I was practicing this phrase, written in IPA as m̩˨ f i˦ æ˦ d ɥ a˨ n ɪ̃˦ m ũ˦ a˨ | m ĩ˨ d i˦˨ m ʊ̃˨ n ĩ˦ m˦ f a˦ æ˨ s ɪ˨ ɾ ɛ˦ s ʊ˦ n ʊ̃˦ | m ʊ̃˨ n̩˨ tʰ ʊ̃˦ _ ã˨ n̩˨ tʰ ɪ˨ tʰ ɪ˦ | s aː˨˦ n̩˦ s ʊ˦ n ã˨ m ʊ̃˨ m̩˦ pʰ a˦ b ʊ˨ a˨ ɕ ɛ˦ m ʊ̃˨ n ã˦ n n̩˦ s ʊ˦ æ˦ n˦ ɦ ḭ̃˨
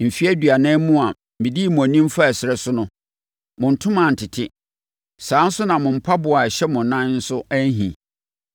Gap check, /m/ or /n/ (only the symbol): m